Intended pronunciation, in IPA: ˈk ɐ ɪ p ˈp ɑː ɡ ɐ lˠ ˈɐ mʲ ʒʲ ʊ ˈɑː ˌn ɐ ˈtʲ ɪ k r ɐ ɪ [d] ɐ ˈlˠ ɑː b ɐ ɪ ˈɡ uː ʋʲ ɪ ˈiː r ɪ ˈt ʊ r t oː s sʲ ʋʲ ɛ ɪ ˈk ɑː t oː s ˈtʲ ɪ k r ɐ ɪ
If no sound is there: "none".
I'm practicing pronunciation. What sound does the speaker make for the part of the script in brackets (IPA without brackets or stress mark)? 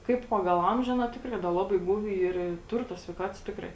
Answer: d